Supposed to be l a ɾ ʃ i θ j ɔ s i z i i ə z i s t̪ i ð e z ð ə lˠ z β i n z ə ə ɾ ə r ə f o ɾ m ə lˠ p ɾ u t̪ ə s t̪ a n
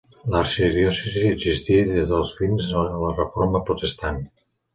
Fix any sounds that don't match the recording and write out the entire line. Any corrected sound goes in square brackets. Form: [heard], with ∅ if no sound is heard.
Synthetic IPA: l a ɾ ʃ i [ð] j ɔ s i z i i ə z i s t̪ i ð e z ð ə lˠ z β i n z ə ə [l] ə r ə f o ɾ m ə [∅] p ɾ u t̪ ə s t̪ a n